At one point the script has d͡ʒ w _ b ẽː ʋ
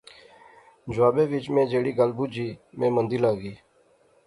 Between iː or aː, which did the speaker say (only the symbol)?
aː